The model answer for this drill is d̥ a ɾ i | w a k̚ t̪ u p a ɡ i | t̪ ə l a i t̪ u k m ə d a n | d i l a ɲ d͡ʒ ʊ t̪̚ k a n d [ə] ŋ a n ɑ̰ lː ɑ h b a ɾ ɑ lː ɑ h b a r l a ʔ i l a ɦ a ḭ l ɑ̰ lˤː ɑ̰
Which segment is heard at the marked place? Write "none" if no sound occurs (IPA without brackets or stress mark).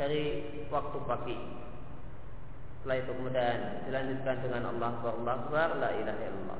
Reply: ə